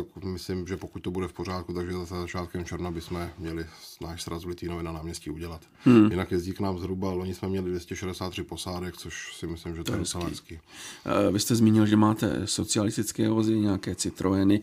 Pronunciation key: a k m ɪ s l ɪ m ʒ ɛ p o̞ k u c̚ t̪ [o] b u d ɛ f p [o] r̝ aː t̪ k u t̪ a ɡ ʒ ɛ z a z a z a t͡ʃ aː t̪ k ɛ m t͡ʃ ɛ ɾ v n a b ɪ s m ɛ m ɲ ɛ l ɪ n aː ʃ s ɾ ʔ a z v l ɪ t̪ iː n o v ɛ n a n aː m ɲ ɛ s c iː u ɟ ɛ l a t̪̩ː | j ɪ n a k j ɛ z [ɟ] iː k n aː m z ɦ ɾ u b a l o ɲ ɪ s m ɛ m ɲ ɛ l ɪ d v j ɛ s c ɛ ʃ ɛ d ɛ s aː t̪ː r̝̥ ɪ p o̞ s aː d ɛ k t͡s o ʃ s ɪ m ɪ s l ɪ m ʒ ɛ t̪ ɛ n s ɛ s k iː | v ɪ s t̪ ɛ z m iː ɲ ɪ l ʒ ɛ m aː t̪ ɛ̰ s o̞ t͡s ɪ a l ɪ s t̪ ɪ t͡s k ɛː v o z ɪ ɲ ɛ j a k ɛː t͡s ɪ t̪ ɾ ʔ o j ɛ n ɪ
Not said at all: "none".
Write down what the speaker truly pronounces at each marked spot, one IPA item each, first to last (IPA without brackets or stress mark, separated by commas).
o, o, ɟ